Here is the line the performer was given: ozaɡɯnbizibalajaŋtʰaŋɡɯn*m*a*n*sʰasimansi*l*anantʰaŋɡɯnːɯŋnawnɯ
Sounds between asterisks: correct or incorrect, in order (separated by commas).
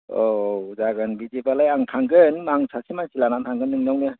correct, incorrect, correct